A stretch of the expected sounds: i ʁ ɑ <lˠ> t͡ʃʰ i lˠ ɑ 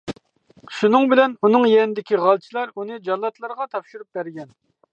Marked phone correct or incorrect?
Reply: correct